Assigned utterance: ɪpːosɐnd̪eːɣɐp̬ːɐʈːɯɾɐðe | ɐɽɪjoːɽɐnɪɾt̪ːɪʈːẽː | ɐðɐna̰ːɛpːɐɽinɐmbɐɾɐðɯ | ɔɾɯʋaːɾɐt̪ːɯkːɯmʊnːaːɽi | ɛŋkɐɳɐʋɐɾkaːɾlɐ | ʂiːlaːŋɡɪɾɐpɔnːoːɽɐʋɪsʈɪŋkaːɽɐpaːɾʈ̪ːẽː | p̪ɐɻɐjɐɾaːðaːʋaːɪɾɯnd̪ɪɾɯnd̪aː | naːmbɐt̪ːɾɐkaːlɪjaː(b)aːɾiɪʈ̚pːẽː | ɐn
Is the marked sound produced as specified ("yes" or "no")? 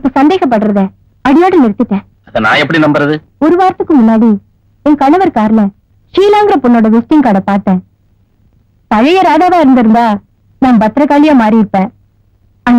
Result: no